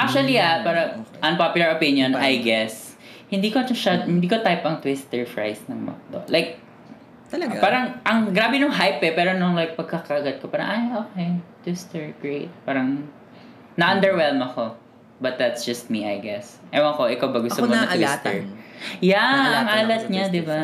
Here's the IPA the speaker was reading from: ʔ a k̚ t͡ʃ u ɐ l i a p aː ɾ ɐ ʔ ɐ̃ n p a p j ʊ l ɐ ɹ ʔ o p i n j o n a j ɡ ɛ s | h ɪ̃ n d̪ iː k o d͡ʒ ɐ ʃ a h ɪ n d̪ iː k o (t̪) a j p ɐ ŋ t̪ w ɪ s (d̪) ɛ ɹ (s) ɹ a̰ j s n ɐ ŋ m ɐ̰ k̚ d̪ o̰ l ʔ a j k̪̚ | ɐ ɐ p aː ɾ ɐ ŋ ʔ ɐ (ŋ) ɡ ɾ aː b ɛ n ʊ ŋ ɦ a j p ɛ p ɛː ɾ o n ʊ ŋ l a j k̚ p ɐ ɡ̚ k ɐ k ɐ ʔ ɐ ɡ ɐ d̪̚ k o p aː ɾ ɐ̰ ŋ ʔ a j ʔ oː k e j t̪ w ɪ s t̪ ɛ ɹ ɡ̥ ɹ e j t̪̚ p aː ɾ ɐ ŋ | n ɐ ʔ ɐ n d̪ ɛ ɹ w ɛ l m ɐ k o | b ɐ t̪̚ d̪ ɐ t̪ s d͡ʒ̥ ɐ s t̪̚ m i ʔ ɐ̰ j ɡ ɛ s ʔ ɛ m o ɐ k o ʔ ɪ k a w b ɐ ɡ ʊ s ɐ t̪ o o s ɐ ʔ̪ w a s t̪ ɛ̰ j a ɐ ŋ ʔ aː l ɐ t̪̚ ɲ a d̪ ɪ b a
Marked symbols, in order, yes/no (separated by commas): yes, no, no, yes